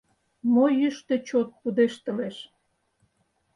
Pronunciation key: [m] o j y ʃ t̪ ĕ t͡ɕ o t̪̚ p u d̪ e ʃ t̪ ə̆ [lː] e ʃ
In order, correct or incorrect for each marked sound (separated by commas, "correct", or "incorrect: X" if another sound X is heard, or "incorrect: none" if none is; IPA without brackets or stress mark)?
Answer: correct, incorrect: l